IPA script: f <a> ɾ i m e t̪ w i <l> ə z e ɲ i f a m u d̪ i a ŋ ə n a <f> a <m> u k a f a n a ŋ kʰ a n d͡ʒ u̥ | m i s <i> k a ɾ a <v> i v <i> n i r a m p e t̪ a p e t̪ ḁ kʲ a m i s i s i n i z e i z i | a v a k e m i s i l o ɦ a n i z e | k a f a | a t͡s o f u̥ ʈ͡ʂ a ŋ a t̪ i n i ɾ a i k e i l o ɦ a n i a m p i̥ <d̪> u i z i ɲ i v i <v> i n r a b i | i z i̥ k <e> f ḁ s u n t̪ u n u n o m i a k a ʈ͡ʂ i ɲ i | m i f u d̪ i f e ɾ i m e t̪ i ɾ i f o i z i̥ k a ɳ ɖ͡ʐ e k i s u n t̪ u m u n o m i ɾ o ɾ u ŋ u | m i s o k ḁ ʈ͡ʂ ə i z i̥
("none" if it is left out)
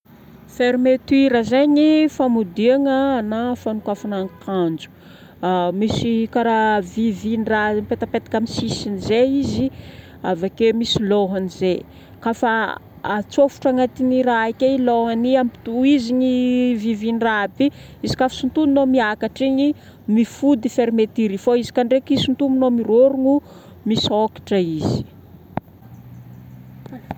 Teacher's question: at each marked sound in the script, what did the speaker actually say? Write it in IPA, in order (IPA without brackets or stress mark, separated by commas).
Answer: e, ɾ, f, n, i, v, i, t̪, v, a